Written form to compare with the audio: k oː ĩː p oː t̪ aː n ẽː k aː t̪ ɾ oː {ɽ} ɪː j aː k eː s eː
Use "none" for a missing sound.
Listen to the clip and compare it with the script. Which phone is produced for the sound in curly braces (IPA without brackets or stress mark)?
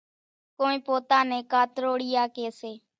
ɽ